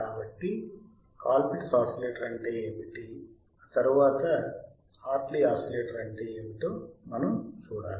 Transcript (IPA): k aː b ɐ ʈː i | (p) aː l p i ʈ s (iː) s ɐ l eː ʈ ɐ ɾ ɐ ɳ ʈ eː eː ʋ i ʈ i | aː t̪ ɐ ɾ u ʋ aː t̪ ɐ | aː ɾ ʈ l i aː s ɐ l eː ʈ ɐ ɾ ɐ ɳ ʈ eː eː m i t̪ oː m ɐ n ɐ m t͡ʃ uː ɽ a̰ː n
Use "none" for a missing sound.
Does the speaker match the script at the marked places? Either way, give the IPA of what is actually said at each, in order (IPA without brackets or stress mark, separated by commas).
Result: k, aː